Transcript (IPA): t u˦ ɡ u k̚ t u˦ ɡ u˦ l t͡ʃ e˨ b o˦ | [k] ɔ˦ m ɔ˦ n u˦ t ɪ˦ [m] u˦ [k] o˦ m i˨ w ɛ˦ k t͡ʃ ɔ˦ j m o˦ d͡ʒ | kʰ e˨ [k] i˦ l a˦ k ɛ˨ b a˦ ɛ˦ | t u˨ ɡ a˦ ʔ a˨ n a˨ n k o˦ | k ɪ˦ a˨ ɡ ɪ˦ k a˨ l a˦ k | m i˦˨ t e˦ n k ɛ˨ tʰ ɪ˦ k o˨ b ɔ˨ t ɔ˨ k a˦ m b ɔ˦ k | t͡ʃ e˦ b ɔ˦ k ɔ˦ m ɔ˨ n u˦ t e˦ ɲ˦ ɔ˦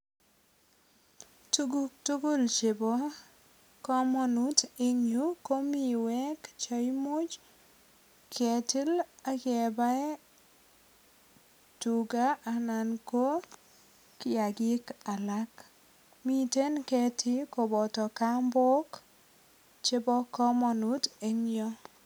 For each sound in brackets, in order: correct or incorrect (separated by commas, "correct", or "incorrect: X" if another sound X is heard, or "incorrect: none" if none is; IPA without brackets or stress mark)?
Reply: correct, incorrect: ɲ, correct, incorrect: t